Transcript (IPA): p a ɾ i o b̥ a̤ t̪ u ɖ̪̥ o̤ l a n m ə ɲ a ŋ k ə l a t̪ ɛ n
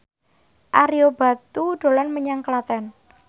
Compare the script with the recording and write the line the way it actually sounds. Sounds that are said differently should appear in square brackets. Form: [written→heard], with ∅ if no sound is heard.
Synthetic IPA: [p→ʔ] a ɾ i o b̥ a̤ t̪ u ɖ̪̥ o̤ l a n m ə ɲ a ŋ k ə l a t̪ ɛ n